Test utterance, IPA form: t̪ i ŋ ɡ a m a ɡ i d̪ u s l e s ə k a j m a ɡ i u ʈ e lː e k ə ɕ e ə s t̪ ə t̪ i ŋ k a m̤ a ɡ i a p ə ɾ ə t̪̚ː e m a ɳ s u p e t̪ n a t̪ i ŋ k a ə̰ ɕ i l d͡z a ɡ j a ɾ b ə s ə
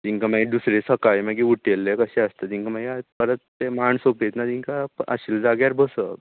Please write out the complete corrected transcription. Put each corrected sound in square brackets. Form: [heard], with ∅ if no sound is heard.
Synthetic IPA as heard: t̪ i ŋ [k] a m a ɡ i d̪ u s [ɾ] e s ə k a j m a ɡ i u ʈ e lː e k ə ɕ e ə s t̪ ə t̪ i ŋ k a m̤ a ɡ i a p ə ɾ ə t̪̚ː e m a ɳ s [o] p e t̪ n a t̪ i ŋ k a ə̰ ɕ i l d͡z a ɡ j a ɾ b ə s ə